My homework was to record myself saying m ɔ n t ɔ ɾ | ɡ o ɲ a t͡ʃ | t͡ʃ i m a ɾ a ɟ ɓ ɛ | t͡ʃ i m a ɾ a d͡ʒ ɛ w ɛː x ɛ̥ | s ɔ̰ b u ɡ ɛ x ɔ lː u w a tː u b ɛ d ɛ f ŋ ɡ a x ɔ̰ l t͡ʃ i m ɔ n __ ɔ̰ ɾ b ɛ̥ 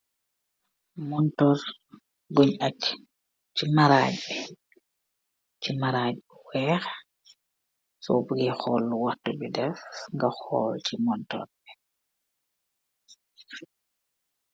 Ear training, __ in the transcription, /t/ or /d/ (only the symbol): t